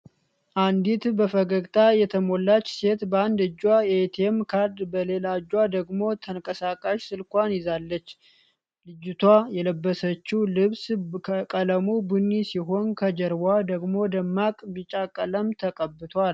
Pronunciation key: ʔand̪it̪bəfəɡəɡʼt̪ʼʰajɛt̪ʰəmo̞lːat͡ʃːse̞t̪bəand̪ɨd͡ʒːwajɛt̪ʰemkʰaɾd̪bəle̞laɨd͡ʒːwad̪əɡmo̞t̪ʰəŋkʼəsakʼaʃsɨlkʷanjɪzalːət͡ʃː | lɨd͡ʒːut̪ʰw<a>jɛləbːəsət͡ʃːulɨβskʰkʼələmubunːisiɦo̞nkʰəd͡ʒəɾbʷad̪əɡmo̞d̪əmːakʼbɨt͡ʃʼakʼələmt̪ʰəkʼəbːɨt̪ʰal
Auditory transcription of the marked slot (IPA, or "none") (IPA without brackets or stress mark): a